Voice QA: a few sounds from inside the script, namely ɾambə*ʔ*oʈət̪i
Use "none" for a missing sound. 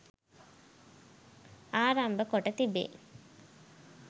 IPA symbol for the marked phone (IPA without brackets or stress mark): k